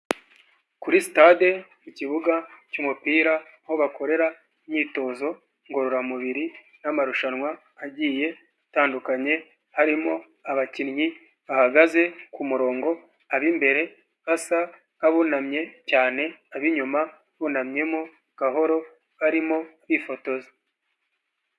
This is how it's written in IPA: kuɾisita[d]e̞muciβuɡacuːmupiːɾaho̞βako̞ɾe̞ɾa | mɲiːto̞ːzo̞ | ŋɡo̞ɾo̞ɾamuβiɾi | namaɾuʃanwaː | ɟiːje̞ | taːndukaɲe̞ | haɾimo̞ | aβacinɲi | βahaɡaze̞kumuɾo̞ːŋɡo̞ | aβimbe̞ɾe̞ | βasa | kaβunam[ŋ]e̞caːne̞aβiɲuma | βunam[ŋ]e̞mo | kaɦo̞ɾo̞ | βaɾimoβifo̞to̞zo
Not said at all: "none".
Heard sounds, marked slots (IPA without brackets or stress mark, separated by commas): d, ɲ, ɲ